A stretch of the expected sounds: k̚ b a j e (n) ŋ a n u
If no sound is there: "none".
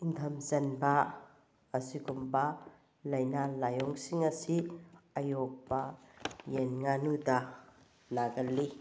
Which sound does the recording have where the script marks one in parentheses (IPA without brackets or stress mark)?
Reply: n